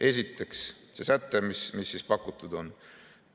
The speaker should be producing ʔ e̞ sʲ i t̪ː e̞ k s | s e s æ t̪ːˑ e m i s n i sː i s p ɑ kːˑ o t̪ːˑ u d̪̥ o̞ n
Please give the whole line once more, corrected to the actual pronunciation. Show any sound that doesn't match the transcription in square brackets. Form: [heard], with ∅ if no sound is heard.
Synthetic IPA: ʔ e̞ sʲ i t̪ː e̞ k s | s e s æ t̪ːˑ e m i s [m] i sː i s p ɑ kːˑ [u] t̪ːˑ u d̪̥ o̞ n